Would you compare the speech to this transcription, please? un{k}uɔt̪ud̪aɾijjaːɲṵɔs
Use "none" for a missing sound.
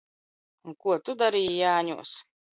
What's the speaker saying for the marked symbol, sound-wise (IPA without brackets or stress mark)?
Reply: k